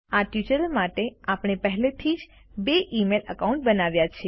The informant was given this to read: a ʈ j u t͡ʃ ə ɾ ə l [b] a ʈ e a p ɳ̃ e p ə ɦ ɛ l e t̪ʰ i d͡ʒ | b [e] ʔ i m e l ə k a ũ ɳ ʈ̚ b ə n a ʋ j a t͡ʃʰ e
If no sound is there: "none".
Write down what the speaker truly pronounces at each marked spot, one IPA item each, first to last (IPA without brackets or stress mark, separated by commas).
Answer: m, e